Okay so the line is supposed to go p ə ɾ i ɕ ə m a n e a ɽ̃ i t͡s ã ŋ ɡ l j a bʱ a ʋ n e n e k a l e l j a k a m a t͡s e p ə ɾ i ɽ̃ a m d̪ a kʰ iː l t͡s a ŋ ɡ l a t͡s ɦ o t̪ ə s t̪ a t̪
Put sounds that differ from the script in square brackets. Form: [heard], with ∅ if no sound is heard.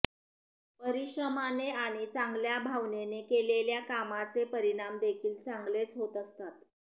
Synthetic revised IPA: p ə ɾ i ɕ ə m a n e a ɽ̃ i t͡s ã ŋ ɡ l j a bʱ a ʋ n e n e k [e] l e l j a k a m a t͡s e p ə ɾ i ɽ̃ a m d̪ [e] kʰ iː l t͡s a ŋ ɡ l [e] t͡s ɦ o t̪ ə s t̪ a t̪